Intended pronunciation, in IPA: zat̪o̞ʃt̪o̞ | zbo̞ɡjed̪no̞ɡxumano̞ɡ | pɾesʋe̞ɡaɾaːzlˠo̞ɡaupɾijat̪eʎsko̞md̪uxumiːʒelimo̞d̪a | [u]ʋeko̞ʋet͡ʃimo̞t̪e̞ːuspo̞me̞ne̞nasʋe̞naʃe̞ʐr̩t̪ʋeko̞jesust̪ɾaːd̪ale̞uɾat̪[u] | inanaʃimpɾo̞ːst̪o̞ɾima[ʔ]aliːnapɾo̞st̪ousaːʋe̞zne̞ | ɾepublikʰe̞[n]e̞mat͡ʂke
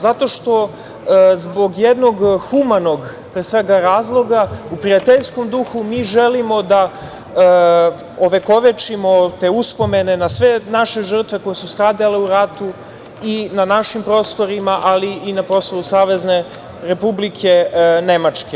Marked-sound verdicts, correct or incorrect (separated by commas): incorrect, correct, correct, correct